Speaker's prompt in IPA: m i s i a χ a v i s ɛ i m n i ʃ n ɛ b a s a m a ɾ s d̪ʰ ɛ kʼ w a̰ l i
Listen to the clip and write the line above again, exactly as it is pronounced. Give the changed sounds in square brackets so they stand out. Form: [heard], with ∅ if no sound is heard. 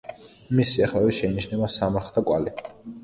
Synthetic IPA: m i s i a χ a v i [ʃ] ɛ i [∅] n i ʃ n ɛ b a s a m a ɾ [χ] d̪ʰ [a] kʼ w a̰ l i